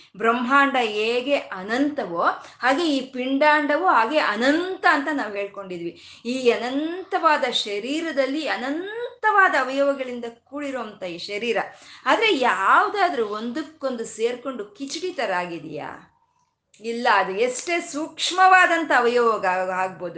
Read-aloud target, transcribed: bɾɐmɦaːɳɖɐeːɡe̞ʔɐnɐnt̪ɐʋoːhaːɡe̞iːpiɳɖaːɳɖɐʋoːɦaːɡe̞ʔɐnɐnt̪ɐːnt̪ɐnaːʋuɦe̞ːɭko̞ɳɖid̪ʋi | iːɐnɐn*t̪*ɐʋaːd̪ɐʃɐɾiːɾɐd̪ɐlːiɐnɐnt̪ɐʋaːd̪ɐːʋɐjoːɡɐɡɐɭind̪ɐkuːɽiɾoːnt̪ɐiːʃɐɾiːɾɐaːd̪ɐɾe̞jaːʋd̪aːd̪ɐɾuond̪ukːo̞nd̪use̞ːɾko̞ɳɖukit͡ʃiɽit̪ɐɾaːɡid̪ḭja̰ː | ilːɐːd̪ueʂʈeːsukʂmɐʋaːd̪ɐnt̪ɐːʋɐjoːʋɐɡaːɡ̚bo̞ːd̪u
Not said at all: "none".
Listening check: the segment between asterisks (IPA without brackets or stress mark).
t̪